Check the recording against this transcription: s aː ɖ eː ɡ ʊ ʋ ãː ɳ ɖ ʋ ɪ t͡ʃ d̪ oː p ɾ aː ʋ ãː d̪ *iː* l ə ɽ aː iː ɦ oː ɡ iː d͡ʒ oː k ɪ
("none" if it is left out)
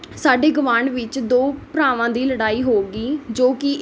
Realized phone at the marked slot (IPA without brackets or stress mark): iː